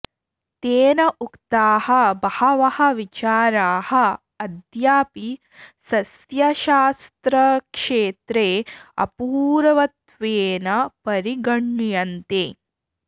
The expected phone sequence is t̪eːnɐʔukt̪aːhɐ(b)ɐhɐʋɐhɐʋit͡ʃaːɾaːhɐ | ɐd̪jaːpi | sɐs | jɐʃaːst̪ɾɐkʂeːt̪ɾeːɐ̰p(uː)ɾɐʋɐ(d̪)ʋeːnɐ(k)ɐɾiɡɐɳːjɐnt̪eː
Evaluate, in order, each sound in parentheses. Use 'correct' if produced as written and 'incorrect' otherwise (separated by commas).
correct, correct, incorrect, incorrect